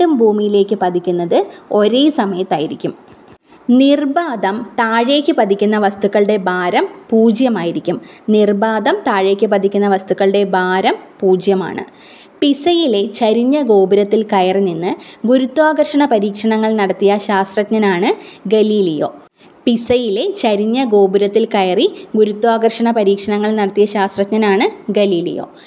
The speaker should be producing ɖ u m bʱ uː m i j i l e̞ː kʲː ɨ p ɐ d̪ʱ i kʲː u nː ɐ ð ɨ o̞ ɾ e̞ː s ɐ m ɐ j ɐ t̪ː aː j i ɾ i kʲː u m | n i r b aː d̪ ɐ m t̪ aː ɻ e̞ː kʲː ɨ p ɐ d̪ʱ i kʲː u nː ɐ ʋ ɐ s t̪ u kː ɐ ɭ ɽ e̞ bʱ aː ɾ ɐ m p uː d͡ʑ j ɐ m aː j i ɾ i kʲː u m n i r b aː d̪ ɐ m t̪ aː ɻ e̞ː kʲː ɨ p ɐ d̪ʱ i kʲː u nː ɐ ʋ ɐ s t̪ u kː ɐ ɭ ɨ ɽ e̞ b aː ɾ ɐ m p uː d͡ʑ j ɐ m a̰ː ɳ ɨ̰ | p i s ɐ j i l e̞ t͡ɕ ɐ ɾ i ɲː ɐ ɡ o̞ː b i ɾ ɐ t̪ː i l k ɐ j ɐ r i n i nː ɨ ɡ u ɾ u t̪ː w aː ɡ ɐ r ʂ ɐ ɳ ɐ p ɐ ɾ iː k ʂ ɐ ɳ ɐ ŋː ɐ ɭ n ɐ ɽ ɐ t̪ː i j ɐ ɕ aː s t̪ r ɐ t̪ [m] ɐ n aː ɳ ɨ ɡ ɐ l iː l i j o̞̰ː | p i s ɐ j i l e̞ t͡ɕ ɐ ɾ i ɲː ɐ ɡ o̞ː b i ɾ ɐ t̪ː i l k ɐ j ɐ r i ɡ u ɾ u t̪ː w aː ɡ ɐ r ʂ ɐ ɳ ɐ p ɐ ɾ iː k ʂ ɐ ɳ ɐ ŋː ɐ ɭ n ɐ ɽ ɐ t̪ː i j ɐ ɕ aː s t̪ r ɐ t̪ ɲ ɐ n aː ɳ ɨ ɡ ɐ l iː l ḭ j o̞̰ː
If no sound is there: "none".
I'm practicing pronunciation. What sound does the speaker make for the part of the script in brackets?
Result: ɲ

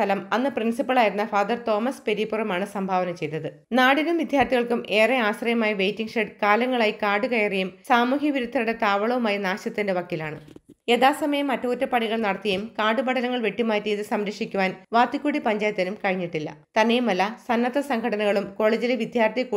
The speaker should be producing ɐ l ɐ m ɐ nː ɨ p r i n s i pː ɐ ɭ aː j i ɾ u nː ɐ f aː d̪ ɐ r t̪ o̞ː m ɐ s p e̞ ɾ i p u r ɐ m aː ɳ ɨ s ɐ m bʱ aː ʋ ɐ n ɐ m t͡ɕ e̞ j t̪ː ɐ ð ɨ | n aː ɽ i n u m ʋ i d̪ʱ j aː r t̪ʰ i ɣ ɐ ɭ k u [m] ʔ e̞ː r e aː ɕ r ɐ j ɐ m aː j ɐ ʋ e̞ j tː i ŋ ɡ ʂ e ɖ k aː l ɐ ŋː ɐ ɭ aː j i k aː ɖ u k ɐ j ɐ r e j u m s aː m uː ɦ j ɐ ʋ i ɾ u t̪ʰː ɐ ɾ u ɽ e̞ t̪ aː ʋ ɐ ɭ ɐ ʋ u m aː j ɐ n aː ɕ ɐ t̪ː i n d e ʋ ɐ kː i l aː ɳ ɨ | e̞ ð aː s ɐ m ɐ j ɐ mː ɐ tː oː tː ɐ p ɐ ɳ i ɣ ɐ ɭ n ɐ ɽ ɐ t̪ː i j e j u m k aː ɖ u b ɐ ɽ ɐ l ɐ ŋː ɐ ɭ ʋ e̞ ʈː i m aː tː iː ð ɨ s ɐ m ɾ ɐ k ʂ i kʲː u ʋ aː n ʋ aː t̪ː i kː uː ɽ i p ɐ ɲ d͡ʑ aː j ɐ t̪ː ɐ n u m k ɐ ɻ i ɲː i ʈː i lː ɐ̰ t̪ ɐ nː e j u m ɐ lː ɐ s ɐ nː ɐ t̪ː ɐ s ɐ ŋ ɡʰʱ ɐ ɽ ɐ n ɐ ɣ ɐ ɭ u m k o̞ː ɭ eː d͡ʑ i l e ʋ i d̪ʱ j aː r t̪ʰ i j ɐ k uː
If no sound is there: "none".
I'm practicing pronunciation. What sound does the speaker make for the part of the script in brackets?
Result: m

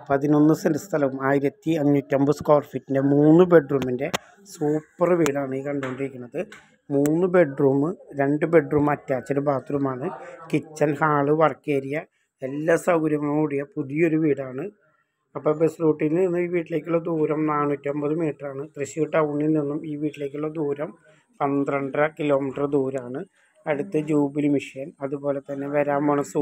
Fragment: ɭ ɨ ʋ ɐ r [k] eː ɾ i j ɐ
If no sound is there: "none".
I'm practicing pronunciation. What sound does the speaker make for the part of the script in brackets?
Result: k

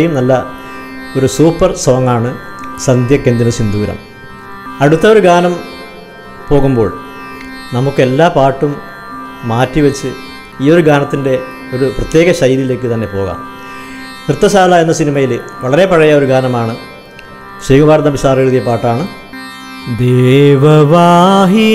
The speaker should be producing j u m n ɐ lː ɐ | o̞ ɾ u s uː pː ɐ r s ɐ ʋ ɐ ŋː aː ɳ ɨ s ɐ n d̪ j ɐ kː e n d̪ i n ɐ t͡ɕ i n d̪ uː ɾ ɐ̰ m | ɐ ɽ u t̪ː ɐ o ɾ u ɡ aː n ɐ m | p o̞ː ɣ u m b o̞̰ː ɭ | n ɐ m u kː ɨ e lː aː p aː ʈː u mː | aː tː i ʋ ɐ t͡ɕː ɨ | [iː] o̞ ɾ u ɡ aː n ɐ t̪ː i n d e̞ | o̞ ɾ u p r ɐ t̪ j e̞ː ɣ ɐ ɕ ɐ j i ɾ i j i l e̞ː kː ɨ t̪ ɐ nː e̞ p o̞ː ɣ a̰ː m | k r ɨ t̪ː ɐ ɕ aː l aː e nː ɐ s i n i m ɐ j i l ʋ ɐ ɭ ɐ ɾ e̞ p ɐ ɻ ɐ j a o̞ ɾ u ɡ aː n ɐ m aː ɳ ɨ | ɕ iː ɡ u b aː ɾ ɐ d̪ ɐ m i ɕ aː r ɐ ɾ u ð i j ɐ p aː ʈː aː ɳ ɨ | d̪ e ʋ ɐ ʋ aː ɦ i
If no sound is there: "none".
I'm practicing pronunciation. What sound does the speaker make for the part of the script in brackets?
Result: iː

